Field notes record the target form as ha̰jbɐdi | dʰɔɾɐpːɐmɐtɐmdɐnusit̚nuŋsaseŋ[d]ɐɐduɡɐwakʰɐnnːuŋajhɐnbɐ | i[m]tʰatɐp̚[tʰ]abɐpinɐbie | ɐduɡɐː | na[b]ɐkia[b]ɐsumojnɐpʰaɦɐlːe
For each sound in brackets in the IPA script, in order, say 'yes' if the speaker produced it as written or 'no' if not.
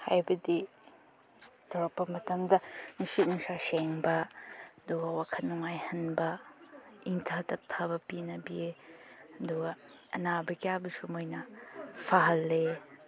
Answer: no, no, yes, yes, yes

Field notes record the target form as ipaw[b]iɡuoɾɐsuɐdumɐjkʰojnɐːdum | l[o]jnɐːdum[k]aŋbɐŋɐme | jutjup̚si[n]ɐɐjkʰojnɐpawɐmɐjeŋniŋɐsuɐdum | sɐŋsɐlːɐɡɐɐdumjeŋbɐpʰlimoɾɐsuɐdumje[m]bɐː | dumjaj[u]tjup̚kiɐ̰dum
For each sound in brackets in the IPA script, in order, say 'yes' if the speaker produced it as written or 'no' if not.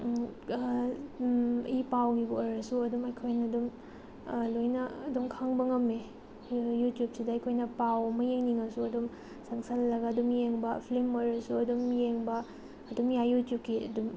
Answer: no, yes, no, no, no, yes

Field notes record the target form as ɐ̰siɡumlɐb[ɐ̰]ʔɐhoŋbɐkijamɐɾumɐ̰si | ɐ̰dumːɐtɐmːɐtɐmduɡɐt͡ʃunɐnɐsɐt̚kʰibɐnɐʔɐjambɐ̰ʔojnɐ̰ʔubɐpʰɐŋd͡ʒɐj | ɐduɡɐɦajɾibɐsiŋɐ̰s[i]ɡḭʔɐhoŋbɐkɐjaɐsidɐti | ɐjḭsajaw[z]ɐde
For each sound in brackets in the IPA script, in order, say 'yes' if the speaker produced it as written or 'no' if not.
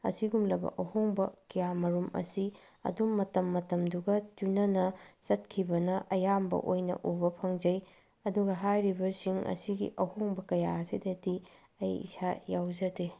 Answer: yes, yes, yes

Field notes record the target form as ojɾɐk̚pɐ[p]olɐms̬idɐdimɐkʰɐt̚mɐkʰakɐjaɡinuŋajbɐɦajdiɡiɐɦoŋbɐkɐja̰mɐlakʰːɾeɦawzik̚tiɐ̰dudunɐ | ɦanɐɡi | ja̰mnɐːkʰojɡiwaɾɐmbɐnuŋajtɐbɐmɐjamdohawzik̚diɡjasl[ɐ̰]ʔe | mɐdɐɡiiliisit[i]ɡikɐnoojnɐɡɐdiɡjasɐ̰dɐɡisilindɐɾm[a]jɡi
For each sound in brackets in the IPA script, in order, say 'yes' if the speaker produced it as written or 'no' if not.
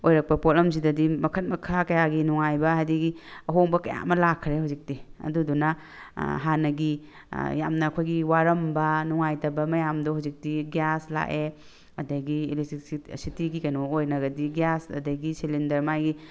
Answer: yes, no, yes, yes

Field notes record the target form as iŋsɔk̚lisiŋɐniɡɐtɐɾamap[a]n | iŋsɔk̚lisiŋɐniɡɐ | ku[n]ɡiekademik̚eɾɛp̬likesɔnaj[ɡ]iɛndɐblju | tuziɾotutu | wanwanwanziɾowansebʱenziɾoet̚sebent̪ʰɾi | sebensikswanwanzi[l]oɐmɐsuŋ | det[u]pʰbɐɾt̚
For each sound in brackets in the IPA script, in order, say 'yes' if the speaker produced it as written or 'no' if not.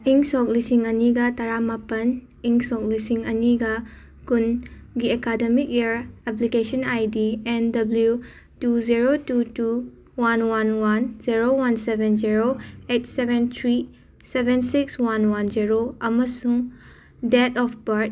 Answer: no, yes, no, no, no

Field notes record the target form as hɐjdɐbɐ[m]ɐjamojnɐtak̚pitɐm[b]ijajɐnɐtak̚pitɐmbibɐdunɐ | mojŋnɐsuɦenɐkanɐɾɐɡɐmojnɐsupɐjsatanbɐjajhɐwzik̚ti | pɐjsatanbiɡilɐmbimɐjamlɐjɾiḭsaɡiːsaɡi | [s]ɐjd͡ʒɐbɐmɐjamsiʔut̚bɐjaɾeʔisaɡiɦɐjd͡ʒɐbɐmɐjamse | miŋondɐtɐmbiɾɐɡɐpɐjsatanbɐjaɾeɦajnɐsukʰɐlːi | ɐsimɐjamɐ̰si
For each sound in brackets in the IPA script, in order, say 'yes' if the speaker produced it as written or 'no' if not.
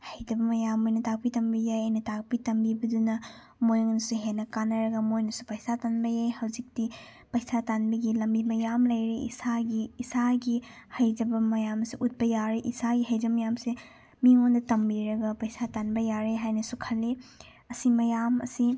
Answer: yes, yes, no

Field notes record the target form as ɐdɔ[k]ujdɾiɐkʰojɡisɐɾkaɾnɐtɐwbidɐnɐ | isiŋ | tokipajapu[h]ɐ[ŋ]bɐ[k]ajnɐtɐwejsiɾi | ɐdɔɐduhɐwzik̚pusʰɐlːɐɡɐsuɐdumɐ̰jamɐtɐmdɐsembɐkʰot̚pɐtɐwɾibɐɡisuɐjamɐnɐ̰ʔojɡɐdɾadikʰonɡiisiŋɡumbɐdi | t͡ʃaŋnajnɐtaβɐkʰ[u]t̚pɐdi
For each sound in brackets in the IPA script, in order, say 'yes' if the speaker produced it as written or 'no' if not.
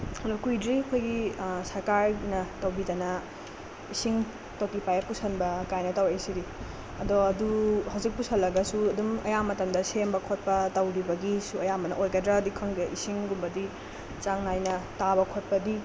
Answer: yes, no, no, yes, no

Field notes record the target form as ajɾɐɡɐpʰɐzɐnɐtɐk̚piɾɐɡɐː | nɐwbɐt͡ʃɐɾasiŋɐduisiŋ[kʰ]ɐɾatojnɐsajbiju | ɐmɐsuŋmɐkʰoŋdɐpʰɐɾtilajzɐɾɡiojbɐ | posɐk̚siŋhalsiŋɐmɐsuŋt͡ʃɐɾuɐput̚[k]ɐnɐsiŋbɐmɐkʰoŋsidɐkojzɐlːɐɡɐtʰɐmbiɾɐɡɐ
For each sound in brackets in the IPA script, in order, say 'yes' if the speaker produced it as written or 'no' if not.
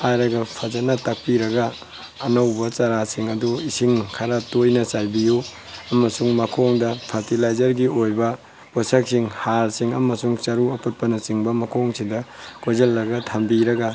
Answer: yes, no

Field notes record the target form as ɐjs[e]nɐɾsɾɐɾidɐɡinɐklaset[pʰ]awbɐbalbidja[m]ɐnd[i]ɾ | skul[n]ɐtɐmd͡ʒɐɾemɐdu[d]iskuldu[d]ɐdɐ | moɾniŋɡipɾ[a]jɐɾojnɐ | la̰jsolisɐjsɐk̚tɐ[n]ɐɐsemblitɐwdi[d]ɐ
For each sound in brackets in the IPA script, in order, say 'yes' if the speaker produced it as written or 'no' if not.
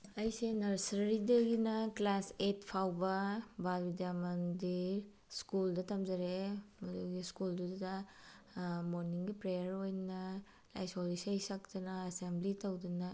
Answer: yes, yes, yes, yes, no, no, yes, no, yes, no

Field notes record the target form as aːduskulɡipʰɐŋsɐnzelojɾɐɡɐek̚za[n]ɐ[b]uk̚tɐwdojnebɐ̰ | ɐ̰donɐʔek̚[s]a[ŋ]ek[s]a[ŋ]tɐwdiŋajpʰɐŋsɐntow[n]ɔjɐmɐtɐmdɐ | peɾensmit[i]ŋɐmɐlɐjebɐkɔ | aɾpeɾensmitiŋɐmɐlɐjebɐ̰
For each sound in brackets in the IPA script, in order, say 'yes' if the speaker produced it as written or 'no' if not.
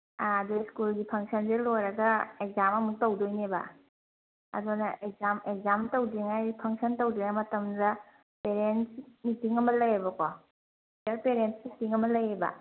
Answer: no, no, no, no, no, no, no, yes

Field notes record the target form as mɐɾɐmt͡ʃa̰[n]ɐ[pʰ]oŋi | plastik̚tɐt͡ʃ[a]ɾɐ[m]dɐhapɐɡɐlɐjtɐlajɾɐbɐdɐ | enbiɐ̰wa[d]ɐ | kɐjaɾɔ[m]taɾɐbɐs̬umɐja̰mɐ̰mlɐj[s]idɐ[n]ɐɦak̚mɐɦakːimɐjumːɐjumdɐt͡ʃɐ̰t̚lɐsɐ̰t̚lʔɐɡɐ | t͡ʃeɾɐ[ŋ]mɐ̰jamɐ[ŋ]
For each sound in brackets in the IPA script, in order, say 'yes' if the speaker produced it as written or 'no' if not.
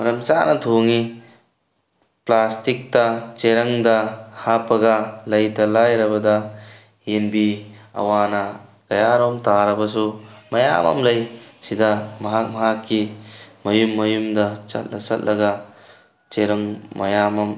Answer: yes, no, no, no, no, yes, yes, no, yes, no

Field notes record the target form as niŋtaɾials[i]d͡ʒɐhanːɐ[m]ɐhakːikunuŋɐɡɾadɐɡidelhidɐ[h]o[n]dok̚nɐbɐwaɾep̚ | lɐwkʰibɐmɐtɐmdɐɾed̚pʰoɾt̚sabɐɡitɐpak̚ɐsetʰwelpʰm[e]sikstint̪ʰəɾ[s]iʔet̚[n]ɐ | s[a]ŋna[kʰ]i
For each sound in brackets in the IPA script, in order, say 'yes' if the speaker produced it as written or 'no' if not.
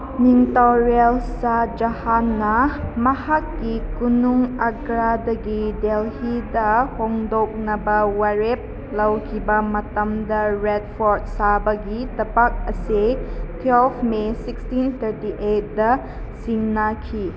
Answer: no, yes, yes, no, yes, no, no, no, yes

